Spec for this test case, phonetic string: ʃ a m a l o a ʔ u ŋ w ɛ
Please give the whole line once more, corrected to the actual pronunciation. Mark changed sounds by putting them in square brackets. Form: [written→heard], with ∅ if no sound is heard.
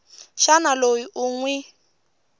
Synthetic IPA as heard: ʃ a [m→n] a l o [a→i] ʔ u ŋ w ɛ